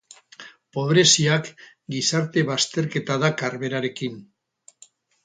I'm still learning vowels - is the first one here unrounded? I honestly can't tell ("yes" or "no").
no